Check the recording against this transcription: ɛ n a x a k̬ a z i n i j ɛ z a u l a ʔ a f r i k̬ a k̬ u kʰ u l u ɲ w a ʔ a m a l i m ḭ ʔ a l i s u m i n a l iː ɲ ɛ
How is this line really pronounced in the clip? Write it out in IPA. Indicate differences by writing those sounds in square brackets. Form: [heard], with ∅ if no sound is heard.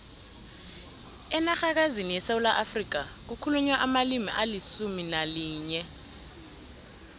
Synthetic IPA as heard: ɛ n a x a k̬ a z i n i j ɛ [s] a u l a ʔ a f r i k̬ a k̬ u kʰ u l u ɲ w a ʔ a m a l i m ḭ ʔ a l i s u m i n a l iː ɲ ɛ

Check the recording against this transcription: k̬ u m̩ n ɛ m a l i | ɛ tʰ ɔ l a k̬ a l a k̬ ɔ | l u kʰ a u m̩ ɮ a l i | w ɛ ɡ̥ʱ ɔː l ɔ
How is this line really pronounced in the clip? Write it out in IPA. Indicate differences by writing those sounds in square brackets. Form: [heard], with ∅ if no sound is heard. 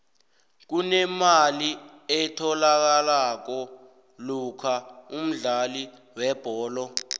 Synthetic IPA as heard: k̬ u [∅] n ɛ m a l i | ɛ tʰ ɔ l a k̬ a l a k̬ ɔ | l u kʰ a u m̩ ɮ a l i | w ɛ [b̥ʱ] ɔː l ɔ

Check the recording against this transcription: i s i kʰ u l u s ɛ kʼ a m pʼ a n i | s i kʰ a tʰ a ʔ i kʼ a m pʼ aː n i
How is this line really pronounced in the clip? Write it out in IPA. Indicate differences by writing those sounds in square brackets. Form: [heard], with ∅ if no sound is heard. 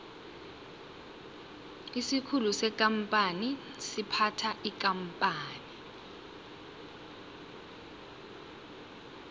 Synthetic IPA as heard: i s i kʰ u l u s ɛ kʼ a m pʼ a n i | s i [pʰ] a tʰ a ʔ i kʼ a m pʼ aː n i

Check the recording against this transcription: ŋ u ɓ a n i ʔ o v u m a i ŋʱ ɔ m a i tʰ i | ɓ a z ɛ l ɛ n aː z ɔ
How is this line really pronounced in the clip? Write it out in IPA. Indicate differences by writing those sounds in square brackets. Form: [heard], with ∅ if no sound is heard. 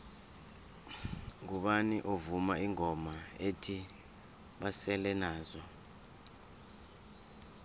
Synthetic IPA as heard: ŋ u ɓ a n i ʔ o v u m a i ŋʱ ɔ m a [e] tʰ i | ɓ a [s] ɛ l ɛ n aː z ɔ

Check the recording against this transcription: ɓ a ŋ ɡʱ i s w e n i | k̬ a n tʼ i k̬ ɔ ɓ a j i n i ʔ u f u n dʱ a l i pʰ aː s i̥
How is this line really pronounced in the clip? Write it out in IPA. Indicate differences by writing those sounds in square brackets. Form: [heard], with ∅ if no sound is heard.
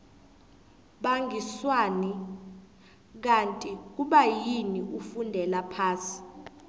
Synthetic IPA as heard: ɓ a ŋ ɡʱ i s w [a] n i | k̬ a n tʼ i k̬ [u] ɓ a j i n i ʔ u f u n dʱ [ɛ] l [a] pʰ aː s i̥

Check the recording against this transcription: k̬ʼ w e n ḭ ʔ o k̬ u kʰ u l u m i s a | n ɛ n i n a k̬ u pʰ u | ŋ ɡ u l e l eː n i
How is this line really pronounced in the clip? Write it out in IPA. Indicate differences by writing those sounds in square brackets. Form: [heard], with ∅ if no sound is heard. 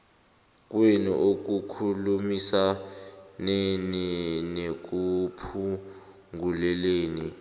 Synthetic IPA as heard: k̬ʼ w e n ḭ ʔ o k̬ u kʰ u l u m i s a | n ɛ n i n [e] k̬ u pʰ u | ŋ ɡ u l [ɛ] l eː n i

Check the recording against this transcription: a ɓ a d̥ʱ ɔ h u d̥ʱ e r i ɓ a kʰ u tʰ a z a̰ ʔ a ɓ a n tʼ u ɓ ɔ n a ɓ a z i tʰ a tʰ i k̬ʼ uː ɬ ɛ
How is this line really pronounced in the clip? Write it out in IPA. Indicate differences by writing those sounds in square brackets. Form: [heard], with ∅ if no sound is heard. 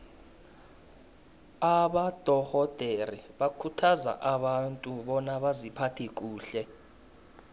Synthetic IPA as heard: a ɓ a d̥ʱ ɔ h [ɔ] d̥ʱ e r i ɓ a kʰ u tʰ a z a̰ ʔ a ɓ a n tʼ u ɓ ɔ n a ɓ a z i [pʰ] a tʰ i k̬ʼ uː ɬ ɛ

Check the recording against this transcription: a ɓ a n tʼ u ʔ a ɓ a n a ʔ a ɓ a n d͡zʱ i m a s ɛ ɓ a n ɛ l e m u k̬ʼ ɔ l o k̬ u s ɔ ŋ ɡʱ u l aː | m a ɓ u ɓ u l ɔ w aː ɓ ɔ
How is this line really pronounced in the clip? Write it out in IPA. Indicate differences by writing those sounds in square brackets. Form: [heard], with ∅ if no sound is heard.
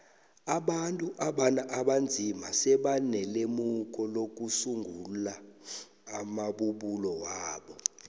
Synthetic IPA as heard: a ɓ a n tʼ u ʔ a ɓ a n a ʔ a ɓ a n d͡zʱ i m a s ɛ ɓ a n ɛ l e m u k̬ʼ ɔ l o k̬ u s [u] ŋ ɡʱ u l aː | m a ɓ u ɓ u l ɔ w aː ɓ ɔ

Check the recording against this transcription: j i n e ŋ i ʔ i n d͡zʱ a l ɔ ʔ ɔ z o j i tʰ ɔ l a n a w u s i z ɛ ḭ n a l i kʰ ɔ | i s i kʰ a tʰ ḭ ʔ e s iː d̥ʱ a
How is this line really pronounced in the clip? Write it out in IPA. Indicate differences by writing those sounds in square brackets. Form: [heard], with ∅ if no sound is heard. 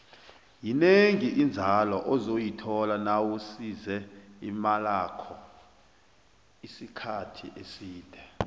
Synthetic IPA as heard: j i n e ŋ i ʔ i n d͡zʱ a l ɔ ʔ ɔ z o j i tʰ ɔ l a n a w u s i z ɛ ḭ [m] a l [a] kʰ ɔ | i s i kʰ a tʰ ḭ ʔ e s iː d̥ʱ [ɛ]

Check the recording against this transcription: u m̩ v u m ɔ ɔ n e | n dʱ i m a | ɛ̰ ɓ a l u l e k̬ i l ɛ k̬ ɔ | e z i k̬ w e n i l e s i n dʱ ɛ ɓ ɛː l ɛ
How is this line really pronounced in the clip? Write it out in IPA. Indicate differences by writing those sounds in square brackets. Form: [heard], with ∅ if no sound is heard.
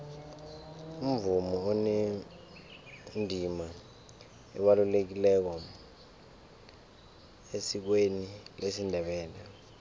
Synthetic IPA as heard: u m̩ v u m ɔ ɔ n e | n dʱ i m a | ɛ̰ ɓ a l u l e k̬ i l ɛ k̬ ɔ | e [s] i k̬ w e n i l e s i n dʱ ɛ ɓ ɛː l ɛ

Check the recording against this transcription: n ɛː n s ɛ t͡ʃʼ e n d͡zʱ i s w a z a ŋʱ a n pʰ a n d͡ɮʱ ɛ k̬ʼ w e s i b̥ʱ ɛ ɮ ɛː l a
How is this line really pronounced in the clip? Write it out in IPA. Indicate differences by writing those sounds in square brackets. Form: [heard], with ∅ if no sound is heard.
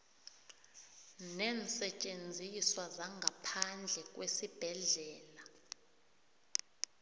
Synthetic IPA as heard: n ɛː n s ɛ t͡ʃʼ e n d͡zʱ i s w a z a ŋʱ a [∅] pʰ a n d͡ɮʱ ɛ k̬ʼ w e s i b̥ʱ ɛ ɮ ɛː l a

